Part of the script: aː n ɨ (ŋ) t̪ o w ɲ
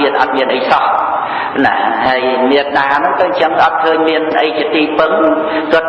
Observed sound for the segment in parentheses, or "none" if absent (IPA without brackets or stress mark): ŋ